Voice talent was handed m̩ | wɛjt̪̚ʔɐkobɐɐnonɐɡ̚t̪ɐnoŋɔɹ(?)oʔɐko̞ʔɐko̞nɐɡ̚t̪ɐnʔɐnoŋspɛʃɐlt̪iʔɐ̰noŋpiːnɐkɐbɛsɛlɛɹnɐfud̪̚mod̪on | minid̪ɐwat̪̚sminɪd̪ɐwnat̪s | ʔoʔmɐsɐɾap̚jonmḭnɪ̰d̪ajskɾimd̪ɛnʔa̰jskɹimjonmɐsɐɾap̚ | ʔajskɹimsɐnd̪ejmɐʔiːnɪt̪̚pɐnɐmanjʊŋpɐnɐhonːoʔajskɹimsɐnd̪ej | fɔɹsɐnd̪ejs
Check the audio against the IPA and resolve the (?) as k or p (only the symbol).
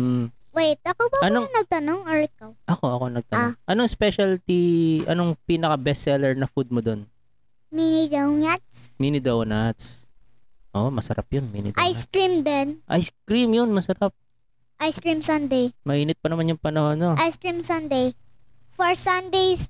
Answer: k